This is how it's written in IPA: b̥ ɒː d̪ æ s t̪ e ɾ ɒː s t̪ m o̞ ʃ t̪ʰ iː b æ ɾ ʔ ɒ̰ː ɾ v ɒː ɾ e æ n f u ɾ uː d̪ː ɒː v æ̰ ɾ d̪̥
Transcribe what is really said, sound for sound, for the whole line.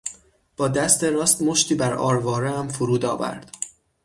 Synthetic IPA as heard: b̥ ɒː d̪ æ s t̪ e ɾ ɒː s t̪ m o̞ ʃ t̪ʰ iː b æ ɾ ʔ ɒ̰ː ɾ v ɒː ɾ e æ m f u ɾ uː d̪ ɒː v æ̰ ɾ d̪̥